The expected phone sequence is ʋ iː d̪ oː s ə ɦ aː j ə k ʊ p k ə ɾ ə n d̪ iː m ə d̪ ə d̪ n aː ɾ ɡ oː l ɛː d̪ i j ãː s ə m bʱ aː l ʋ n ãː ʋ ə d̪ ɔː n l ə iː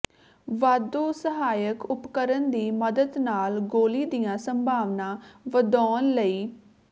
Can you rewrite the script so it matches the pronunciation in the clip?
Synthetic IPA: ʋ aː d̪ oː s ə ɦ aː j ə k ʊ p k ə ɾ ə n d̪ iː m ə d̪ ə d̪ n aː l ɡ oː l iː d̪ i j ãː s ə m bʱ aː ʋ n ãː ʋ ə d̪ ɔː n l ə iː